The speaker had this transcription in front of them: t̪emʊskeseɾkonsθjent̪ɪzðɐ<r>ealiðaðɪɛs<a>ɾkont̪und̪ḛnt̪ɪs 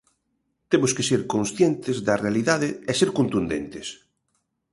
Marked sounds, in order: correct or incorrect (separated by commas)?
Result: correct, incorrect